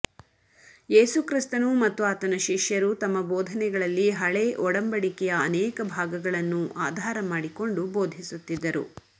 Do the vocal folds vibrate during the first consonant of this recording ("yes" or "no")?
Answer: no